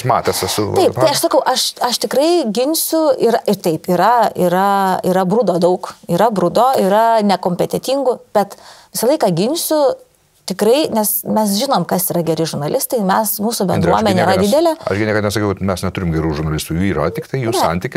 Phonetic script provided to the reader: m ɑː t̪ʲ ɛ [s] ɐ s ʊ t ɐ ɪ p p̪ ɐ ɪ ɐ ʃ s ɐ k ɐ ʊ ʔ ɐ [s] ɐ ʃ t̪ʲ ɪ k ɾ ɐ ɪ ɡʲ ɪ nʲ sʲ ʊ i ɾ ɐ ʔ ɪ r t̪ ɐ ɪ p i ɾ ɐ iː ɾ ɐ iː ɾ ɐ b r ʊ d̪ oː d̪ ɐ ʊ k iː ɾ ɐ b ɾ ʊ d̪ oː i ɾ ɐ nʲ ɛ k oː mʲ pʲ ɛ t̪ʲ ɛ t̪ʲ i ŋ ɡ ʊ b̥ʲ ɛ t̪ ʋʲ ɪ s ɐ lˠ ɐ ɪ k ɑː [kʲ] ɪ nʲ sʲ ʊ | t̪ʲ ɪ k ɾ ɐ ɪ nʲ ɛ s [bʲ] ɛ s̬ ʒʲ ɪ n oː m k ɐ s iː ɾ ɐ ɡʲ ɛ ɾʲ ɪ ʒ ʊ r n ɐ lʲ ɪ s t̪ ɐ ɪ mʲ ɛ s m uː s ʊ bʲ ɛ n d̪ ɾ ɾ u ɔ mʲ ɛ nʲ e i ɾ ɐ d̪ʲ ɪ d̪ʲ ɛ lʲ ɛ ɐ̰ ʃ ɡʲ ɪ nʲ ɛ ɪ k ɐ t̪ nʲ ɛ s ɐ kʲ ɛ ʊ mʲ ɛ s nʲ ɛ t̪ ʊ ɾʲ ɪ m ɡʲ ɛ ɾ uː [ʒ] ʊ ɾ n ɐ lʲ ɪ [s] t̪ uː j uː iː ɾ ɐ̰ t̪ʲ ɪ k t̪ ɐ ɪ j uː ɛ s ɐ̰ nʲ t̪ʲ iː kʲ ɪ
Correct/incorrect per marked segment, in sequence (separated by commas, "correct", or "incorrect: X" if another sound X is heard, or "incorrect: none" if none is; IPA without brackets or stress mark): correct, incorrect: ʃ, incorrect: ɡʲ, incorrect: mʲ, correct, correct